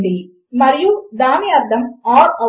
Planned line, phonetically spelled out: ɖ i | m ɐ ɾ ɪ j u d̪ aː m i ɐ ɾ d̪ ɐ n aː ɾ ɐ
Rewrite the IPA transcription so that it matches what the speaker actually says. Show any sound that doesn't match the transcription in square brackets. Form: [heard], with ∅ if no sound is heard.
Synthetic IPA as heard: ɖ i | m ɐ ɾ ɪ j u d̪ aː m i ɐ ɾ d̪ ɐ [m] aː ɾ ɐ